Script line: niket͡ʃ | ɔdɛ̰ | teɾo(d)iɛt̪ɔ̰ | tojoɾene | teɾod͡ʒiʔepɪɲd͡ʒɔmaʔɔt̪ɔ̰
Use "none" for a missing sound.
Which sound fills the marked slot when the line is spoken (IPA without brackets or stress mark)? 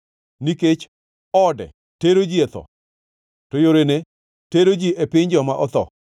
d͡ʒ